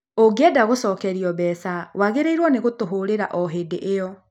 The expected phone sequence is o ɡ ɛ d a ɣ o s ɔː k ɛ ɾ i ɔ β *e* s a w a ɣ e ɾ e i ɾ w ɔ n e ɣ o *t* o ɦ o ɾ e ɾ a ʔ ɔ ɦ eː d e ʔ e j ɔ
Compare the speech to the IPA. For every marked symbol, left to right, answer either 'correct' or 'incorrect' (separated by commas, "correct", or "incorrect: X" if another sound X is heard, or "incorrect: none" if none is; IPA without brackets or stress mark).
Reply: incorrect: ɛ, correct